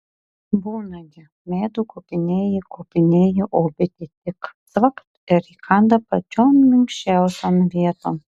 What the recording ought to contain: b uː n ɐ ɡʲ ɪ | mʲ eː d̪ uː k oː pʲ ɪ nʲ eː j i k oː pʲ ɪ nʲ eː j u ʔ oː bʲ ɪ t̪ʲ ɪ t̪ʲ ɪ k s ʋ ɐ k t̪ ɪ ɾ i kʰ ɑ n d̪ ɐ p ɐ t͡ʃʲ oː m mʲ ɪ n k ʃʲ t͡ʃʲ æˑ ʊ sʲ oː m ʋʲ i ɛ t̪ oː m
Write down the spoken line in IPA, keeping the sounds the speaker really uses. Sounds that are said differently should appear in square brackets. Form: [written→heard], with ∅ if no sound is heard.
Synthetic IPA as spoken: b uː n ɐ ɡʲ ɪ | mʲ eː d̪ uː k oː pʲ ɪ nʲ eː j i k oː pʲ ɪ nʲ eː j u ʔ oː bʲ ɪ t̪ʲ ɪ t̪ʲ ɪ k s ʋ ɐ k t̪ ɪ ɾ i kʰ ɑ n d̪ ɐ p ɐ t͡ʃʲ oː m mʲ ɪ [n→ŋ] k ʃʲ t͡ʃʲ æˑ ʊ sʲ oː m ʋʲ i ɛ t̪ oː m

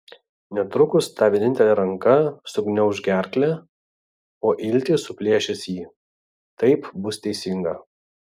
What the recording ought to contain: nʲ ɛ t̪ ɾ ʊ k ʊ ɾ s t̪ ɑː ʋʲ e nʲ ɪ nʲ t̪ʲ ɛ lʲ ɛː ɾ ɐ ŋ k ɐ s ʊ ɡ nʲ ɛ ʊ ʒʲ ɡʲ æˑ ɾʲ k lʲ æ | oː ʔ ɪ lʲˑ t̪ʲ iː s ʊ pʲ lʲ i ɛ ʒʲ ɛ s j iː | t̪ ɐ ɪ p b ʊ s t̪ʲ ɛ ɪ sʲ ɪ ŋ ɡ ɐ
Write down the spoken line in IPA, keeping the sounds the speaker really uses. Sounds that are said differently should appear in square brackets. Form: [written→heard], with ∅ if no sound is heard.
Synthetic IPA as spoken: nʲ ɛ t̪ ɾ ʊ k ʊ [ɾ→∅] s t̪ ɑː ʋʲ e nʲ ɪ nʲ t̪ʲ ɛ lʲ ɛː ɾ ɐ ŋ k ɐ s ʊ ɡ nʲ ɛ ʊ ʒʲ ɡʲ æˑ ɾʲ k lʲ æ | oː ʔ ɪ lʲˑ t̪ʲ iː s ʊ pʲ lʲ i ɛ [ʒʲ→ʃʲ] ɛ s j iː | t̪ ɐ ɪ p b ʊ s t̪ʲ ɛ ɪ sʲ ɪ ŋ ɡ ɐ

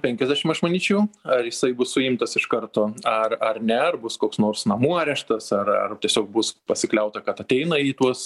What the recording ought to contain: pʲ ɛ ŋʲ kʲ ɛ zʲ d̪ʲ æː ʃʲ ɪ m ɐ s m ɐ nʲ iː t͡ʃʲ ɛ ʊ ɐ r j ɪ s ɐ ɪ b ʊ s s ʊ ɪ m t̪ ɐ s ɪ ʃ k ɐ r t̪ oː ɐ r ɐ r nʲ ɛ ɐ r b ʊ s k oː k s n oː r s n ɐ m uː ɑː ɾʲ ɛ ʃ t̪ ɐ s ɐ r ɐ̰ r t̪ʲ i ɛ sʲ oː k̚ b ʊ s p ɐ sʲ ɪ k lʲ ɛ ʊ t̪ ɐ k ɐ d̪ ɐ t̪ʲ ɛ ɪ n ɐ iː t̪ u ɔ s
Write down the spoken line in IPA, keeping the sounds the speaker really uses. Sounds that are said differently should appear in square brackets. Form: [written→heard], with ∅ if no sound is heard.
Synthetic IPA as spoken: pʲ ɛ ŋʲ kʲ ɛ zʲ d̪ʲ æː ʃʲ ɪ m ɐ [s→ʃ] m ɐ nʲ iː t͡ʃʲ ɛ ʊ ɐ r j ɪ s ɐ ɪ b ʊ s s ʊ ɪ m t̪ ɐ s ɪ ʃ k ɐ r t̪ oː ɐ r ɐ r nʲ ɛ ɐ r b ʊ s k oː k s n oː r s n ɐ m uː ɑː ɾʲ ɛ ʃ t̪ ɐ s ɐ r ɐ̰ r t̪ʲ i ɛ sʲ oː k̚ b ʊ s p ɐ sʲ ɪ k lʲ ɛ ʊ t̪ ɐ k ɐ [d̪→t̪] ɐ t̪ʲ ɛ ɪ n ɐ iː t̪ u ɔ s

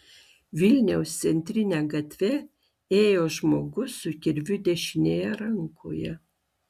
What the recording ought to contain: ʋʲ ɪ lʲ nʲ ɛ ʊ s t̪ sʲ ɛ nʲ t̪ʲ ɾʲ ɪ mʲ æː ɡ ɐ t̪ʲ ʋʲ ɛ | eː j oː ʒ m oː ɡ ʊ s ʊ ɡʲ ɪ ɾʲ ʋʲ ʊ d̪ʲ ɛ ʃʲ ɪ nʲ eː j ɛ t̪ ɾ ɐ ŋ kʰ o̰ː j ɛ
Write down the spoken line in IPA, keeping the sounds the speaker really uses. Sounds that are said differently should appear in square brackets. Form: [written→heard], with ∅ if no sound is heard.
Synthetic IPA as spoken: ʋʲ ɪ lʲ nʲ ɛ ʊ s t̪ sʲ ɛ nʲ t̪ʲ ɾʲ ɪ [mʲ→nʲ] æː ɡ ɐ t̪ʲ ʋʲ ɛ | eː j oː ʒ m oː ɡ ʊ s ʊ [ɡʲ→kʲ] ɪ ɾʲ ʋʲ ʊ d̪ʲ ɛ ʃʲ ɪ nʲ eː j ɛ [t̪→∅] ɾ ɐ ŋ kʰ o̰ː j ɛ

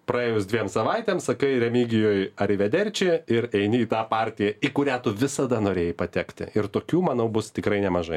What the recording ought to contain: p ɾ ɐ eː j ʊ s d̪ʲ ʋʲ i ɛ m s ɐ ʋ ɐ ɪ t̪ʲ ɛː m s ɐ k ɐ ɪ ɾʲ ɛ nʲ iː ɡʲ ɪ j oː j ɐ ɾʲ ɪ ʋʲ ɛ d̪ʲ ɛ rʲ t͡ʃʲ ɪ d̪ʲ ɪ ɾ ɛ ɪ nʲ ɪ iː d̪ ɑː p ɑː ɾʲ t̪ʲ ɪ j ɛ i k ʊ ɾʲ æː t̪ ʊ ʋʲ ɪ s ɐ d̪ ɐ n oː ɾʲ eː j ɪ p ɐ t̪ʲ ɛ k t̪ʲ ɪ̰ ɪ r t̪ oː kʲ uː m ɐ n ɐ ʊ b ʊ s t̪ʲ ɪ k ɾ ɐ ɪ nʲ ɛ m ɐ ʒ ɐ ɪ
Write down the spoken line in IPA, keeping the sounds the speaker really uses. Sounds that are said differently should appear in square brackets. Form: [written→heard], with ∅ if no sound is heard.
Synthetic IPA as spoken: p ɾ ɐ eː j ʊ s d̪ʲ ʋʲ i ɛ m s ɐ ʋ ɐ ɪ t̪ʲ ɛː m s ɐ k ɐ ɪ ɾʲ ɛ [nʲ→mʲ] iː ɡʲ ɪ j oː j ɐ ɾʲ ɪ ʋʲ ɛ d̪ʲ ɛ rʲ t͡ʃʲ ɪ [d̪ʲ→∅] ɪ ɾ ɛ ɪ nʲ ɪ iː [d̪→t̪] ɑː p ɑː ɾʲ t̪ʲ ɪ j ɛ i k ʊ ɾʲ æː t̪ ʊ ʋʲ ɪ s ɐ d̪ ɐ n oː ɾʲ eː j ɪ p ɐ t̪ʲ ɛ k t̪ʲ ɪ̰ ɪ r t̪ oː kʲ uː m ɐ n ɐ ʊ b ʊ s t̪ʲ ɪ k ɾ ɐ ɪ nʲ ɛ m ɐ ʒ ɐ ɪ

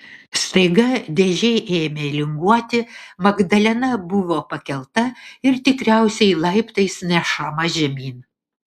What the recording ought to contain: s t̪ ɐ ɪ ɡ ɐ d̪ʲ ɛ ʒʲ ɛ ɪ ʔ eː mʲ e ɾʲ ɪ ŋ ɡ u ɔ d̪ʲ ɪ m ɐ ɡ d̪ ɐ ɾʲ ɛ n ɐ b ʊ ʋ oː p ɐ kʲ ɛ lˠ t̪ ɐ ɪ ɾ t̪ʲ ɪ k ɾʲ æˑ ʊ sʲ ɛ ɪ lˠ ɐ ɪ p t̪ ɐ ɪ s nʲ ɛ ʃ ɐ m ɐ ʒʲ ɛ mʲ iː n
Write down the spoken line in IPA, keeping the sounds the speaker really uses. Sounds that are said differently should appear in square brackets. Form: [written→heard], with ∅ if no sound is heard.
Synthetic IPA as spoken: s t̪ ɐ ɪ ɡ ɐ d̪ʲ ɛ ʒʲ ɛ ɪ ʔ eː mʲ e [ɾʲ→lʲ] ɪ ŋ ɡ u ɔ [d̪ʲ→t̪ʲ] ɪ m ɐ ɡ d̪ ɐ [ɾʲ→lʲ] ɛ n ɐ b ʊ ʋ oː p ɐ kʲ ɛ lˠ t̪ ɐ ɪ ɾ t̪ʲ ɪ k ɾʲ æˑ ʊ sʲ ɛ ɪ lˠ ɐ ɪ p t̪ ɐ ɪ s nʲ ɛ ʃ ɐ m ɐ ʒʲ ɛ mʲ iː n

